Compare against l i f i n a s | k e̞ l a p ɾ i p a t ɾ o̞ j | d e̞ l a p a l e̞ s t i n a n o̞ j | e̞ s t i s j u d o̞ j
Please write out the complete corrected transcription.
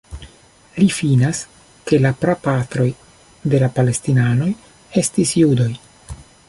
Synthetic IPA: l i f i n a s | k e̞ l a p ɾ a p a t ɾ o̞ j | d e̞ l a p a l e̞ s t i n a n o̞ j | e̞ s t i s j u d o̞ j